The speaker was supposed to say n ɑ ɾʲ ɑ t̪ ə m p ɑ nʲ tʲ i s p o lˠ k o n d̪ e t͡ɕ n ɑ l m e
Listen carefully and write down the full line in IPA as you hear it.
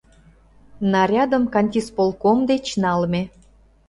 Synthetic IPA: n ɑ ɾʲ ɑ d̪ ə m k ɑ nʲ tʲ i s p o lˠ k o m d̪ e t͡ɕ n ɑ l m e